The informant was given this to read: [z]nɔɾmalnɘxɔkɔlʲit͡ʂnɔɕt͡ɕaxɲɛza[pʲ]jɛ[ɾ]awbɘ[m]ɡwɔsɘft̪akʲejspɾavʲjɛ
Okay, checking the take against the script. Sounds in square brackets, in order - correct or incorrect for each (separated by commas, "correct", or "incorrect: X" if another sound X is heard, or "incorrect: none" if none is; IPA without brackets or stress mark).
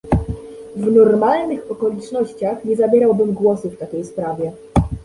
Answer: incorrect: v, incorrect: bʲ, correct, correct